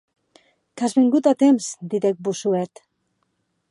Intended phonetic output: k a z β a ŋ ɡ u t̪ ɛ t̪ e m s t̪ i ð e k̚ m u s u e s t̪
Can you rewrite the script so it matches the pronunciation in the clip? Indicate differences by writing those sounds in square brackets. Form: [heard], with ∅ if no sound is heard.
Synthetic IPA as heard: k a z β [e] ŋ ɡ u t̪ [a] t̪ e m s [d̪] i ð e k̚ [b] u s u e [∅] t̪